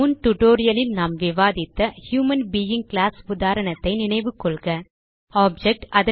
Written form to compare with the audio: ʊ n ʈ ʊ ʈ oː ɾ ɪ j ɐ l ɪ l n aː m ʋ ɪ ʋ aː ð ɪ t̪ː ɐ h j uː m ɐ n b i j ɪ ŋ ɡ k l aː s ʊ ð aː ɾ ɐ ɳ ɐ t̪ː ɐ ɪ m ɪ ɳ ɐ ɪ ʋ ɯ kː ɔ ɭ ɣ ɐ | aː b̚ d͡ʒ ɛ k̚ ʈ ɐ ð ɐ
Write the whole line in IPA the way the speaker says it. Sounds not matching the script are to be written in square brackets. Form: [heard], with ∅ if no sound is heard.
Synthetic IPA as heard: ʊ n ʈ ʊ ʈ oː ɾ ɪ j ɐ l ɪ l n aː m ʋ ɪ ʋ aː ð ɪ t̪ː ɐ h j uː m ɐ n b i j ɪ ŋ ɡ k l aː s ʊ ð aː ɾ ɐ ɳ ɐ t̪ː ɐ ɪ [n] ɪ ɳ ɐ ɪ ʋ ɯ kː ɔ ɭ ɣ ɐ | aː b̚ d͡ʒ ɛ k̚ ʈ ɐ ð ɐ